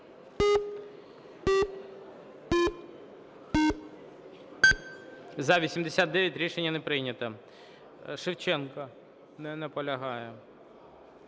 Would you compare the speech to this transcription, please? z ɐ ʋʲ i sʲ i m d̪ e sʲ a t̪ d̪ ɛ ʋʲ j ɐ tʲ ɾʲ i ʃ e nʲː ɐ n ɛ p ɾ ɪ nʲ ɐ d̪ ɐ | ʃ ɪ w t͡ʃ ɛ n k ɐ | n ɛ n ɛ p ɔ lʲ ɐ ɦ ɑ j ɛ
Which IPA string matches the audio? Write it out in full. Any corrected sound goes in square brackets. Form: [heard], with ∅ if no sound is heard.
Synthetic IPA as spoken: z ɐ ʋʲ i sʲ i m d̪ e sʲ a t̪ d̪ ɛ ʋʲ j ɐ tʲ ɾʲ i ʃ e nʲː ɐ n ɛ p ɾ ɪ nʲ ɐ [t̪] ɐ | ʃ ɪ w t͡ʃ ɛ n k ɐ | n ɛ n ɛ p ɔ lʲ ɐ ɦ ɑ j ɛ